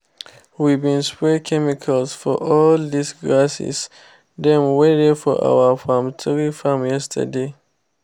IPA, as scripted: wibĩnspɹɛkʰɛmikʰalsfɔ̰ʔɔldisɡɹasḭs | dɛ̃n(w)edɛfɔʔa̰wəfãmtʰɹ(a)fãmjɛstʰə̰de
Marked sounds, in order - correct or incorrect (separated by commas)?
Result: correct, incorrect